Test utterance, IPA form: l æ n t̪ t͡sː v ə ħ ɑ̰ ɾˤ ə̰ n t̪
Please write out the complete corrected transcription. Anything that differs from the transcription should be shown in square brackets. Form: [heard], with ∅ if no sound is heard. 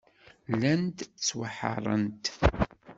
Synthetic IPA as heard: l æ n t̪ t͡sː [w] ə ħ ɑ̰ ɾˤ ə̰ n t̪